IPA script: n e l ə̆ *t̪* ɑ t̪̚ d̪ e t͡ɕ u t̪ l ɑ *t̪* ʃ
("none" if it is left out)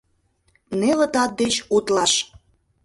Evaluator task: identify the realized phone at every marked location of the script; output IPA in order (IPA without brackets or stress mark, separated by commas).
t̪, none